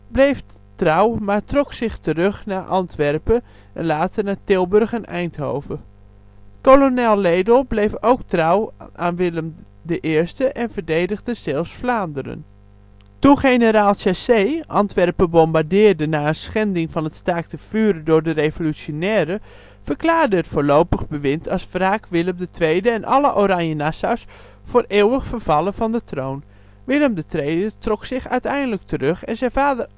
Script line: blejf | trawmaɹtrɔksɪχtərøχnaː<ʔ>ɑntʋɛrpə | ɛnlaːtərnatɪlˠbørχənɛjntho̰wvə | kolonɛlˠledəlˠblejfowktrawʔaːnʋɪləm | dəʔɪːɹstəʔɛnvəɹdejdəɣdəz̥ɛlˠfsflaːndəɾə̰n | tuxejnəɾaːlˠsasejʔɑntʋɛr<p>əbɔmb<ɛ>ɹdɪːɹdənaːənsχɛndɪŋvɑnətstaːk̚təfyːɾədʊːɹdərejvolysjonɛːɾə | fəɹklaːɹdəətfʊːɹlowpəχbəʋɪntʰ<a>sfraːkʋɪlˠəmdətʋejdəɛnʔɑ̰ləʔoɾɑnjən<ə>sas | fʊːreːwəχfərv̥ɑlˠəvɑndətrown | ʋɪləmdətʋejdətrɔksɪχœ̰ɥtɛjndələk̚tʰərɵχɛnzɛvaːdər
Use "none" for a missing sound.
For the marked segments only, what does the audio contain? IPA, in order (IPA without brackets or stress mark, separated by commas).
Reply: ʔ, p, a, ɑ, a